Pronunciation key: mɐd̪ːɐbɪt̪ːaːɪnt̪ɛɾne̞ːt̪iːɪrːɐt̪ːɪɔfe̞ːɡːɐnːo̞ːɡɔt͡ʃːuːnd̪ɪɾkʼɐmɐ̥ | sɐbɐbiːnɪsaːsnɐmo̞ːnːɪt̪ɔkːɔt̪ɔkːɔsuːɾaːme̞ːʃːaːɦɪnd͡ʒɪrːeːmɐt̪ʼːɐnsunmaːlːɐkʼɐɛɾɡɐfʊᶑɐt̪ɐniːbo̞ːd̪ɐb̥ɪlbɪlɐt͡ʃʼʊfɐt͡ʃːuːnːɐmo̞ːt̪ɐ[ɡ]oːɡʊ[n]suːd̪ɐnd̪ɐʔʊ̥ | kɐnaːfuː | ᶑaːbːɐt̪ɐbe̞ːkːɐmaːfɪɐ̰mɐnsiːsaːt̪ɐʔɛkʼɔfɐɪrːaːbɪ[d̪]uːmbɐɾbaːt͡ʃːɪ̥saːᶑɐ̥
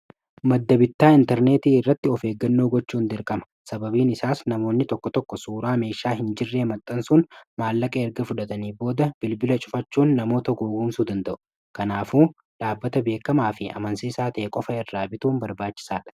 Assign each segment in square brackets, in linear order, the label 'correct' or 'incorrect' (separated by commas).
correct, incorrect, incorrect